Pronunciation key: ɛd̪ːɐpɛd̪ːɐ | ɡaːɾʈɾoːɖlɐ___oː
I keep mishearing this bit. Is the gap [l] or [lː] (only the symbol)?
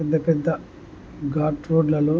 l